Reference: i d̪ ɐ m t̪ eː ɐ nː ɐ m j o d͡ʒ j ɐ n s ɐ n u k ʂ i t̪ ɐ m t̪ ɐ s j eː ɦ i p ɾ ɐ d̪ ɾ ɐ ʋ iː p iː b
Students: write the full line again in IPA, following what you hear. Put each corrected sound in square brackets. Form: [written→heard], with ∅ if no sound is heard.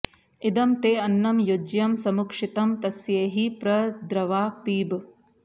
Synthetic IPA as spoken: i d̪ ɐ m t̪ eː ɐ nː ɐ m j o d͡ʒ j ɐ [n→m] s ɐ [n→m] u k ʂ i t̪ ɐ m t̪ ɐ s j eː ɦ i p ɾ ɐ d̪ ɾ ɐ ʋ [iː→aː] p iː b